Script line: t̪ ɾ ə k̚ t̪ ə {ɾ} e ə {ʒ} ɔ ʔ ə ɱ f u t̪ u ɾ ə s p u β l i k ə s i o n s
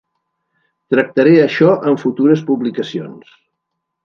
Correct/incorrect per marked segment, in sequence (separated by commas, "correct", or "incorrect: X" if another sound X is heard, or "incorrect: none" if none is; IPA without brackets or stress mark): correct, incorrect: ʃ